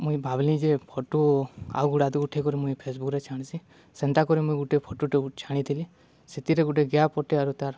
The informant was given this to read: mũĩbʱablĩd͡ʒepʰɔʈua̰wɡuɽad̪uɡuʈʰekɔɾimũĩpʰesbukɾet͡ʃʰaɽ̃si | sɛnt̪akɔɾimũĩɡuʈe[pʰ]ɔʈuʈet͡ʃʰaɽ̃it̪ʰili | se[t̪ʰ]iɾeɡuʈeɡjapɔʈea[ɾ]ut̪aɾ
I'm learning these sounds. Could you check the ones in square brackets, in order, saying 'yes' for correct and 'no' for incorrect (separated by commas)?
yes, no, yes